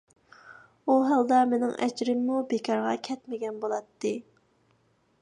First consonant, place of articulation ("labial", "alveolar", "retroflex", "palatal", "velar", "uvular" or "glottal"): glottal